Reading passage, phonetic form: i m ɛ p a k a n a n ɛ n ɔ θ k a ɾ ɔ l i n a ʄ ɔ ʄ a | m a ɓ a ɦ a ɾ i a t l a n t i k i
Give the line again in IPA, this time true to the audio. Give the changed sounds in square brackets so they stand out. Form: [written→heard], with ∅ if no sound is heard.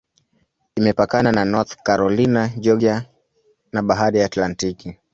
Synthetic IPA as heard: i m ɛ p a k a n a n [ɛ→a] n ɔ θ k a ɾ ɔ l i n a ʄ ɔ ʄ a | [m→n] a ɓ a ɦ a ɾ i a t l a n t i k i

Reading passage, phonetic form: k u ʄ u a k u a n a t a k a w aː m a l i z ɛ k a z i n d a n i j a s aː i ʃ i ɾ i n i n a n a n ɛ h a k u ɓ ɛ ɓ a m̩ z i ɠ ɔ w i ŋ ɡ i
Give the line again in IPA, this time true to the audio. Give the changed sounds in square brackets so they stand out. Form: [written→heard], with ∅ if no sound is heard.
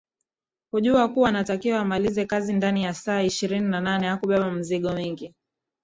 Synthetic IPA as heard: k u ʄ u a k u a n a t a k [a→i] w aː m a l i z ɛ k a z i n d a n i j a s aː i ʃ i ɾ i n i n a n a n ɛ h a k u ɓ ɛ ɓ a m̩ z i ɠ ɔ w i ŋ ɡ i

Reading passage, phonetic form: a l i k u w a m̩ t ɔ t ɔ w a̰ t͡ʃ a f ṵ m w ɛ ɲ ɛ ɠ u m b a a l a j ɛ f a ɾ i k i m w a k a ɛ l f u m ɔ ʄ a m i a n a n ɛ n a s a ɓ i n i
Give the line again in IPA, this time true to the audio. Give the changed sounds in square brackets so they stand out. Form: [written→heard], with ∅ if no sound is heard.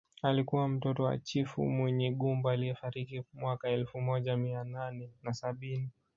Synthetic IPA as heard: a l i k u w a m̩ t ɔ t ɔ w a̰ t͡ʃ [a→i] f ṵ m w ɛ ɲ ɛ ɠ u m b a a l [a→i] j ɛ f a ɾ i k i m w a k a ɛ l f u m ɔ ʄ a m i a n a n ɛ n a s a ɓ i n i

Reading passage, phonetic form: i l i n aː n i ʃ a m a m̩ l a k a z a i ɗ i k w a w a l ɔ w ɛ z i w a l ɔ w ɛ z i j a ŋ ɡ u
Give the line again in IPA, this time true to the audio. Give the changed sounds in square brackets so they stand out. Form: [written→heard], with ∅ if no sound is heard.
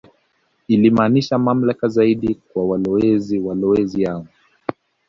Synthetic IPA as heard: i l i [n→m] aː n i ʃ a m a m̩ l a k a z a i ɗ i k w a w a l ɔ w ɛ z i w a l ɔ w ɛ z i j a ŋ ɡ u

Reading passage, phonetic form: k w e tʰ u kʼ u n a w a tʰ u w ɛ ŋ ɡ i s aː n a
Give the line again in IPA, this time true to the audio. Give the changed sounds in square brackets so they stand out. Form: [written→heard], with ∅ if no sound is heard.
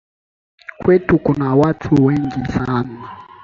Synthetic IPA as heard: k w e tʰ u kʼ u n a w a tʰ u w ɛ ŋ ɡ i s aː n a

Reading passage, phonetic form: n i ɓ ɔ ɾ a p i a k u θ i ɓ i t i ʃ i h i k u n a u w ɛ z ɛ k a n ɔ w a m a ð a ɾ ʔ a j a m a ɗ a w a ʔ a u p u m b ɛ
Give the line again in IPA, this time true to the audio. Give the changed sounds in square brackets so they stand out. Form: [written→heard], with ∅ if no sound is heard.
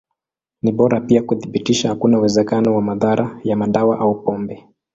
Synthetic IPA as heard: n i ɓ ɔ ɾ a p i a k u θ i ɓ i t i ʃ [i→a] h [i→a] k u n a u w ɛ z ɛ k a n ɔ w a m a ð a ɾ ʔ a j a m a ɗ a w a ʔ a u p [u→ɔ] m b ɛ

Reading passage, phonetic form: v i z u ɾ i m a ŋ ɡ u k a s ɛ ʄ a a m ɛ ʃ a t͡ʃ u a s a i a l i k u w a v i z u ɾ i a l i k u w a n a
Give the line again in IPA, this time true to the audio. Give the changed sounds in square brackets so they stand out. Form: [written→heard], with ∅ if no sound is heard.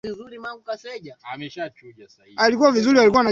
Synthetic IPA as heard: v i z u ɾ i m a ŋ ɡ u k a s ɛ ʄ a a m ɛ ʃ a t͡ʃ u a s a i a l i k u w a v i z u ɾ i a l i k u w a n a

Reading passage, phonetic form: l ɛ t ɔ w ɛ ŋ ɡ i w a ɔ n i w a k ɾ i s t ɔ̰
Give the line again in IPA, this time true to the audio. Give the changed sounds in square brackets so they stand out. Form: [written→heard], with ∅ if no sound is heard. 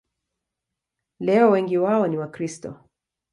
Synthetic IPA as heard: l ɛ [t→∅] ɔ w ɛ ŋ ɡ i w a ɔ n i w a k ɾ i s t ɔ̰

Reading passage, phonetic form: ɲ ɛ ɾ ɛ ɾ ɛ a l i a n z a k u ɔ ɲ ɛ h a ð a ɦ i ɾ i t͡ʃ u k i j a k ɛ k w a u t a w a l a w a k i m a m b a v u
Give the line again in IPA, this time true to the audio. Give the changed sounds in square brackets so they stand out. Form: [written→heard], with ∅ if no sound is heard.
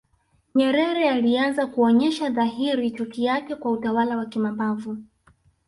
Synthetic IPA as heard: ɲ ɛ ɾ ɛ ɾ ɛ a l i a n z a k u ɔ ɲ ɛ [h→ʃ] a ð a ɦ i ɾ i t͡ʃ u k i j a k ɛ k w a u t a w a l a w a k i m a m b a v u

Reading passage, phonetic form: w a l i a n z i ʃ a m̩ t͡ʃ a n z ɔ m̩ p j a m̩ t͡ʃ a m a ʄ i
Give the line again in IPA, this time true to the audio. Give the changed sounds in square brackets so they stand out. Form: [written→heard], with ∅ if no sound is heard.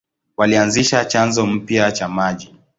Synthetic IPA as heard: w a l i a n z i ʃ a [m̩→∅] t͡ʃ a n z ɔ m̩ p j a [m̩→∅] t͡ʃ a m a ʄ i

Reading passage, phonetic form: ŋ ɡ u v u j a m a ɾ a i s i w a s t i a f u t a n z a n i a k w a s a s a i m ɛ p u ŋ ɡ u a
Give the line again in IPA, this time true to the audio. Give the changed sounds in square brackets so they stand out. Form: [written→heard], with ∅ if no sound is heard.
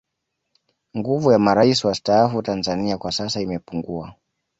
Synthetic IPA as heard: ŋ ɡ u v u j a m a ɾ a i s i w a s t [i→a] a f u t a n z a n i a k w a s a s a i m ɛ p u ŋ ɡ u a

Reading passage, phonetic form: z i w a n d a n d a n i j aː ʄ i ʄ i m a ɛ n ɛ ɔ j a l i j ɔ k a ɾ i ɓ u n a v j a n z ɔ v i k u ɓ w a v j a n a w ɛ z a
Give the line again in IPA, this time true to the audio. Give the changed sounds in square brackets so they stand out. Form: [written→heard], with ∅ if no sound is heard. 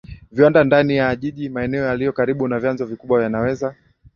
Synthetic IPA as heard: [z→v] i w a n d a n d a n i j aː ʄ i ʄ i m a ɛ n ɛ ɔ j a l i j ɔ k a ɾ i ɓ u n a v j a n z ɔ v i k u ɓ w a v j a n a w ɛ z a

